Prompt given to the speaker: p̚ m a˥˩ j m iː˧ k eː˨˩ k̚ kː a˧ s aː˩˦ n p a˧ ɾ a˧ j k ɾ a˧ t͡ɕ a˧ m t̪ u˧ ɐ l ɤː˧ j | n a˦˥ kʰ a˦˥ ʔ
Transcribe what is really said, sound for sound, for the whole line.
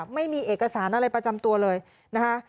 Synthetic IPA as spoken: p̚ m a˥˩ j m iː˧ ʔ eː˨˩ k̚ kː a˧ s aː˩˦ n ʔ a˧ ɾ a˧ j p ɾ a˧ t͡ɕ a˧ m t̪ u˧ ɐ l ɤː˧ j | n a˦˥ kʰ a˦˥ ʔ